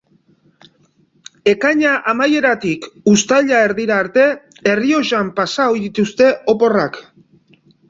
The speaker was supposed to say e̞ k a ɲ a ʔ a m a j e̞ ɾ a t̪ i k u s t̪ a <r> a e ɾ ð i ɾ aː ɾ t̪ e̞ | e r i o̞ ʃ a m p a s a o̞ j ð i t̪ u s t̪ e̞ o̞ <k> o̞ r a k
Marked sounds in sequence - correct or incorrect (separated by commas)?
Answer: incorrect, incorrect